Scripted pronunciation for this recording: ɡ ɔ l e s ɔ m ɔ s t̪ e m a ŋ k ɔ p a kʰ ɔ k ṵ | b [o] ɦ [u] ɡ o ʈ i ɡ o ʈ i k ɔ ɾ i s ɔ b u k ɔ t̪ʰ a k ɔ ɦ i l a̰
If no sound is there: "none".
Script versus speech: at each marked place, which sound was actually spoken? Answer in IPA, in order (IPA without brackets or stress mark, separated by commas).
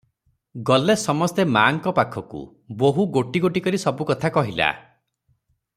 o, u